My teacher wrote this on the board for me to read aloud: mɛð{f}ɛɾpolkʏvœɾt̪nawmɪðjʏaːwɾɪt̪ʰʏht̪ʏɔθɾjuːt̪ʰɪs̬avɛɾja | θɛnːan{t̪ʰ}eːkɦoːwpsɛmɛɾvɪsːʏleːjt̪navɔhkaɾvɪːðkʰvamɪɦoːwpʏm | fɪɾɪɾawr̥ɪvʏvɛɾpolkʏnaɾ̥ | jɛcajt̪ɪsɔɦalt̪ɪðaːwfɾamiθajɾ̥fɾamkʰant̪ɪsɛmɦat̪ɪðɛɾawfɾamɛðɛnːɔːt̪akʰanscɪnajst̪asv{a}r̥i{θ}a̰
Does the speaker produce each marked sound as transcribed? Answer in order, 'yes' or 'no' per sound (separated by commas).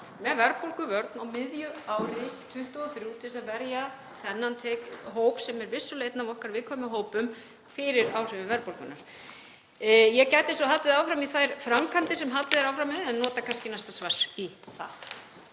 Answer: no, yes, yes, yes